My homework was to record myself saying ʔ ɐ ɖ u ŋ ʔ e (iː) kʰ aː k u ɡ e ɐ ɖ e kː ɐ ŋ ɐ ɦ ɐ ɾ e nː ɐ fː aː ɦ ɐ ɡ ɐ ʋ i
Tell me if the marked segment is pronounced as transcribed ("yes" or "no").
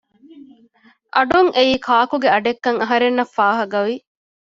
yes